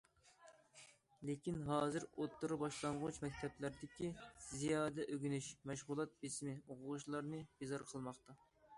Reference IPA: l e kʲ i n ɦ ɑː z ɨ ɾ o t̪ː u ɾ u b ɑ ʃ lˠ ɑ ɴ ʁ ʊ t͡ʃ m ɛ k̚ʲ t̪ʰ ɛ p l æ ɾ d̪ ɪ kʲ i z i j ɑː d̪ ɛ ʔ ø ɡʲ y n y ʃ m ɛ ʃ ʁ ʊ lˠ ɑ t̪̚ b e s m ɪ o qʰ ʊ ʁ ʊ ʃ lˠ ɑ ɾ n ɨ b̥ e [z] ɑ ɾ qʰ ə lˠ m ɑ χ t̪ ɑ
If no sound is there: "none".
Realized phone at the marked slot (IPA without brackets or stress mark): z